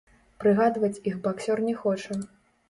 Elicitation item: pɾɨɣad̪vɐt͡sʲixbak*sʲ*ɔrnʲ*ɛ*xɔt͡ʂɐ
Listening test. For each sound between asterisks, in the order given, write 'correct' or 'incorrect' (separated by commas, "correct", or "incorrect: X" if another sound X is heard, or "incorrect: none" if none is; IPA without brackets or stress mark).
correct, correct